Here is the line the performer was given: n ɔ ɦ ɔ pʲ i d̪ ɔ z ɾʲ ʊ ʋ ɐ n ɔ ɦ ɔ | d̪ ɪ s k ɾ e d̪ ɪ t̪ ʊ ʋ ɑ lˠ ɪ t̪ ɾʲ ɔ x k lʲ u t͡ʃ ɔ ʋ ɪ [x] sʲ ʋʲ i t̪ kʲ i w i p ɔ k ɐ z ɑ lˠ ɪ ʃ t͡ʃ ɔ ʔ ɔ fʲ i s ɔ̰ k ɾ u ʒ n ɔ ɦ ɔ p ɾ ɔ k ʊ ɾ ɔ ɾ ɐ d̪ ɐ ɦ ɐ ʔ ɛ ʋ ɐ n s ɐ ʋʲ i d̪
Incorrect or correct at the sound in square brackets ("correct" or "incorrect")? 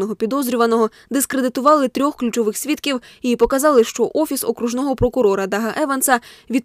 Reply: correct